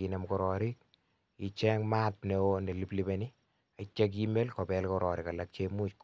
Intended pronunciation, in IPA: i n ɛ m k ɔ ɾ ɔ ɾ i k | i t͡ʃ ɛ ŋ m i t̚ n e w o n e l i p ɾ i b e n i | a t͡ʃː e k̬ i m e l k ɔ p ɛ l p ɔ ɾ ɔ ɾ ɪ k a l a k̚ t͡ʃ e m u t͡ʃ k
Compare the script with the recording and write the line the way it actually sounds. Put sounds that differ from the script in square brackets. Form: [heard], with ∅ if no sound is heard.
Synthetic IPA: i n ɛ m k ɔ ɾ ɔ ɾ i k | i t͡ʃ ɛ ŋ m [a] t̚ n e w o n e l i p [l] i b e n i | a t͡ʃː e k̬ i m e l k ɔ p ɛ l [k] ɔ ɾ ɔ ɾ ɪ k a l a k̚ t͡ʃ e m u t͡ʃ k